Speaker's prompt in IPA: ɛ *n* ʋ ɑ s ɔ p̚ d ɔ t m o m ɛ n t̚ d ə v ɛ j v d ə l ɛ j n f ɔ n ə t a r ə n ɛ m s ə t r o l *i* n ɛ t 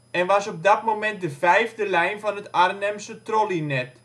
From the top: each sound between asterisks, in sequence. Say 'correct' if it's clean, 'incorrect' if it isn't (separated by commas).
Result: correct, correct